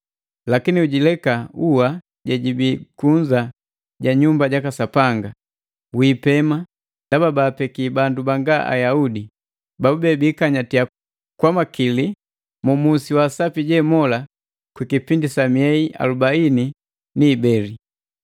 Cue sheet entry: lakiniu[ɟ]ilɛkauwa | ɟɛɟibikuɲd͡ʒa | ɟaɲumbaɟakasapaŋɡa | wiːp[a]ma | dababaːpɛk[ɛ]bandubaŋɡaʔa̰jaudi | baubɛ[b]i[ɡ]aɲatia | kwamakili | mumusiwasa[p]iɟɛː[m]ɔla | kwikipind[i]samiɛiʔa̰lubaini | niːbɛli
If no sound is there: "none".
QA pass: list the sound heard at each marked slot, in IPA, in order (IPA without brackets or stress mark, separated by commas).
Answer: ɟ, ɛ, i, b, k, p, m, i